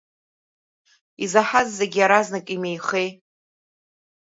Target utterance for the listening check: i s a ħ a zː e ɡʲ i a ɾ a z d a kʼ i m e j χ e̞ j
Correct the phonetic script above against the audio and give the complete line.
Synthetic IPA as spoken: i z a ħ a zː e ɡʲ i a ɾ a z n a kʼ i m e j χ e̞ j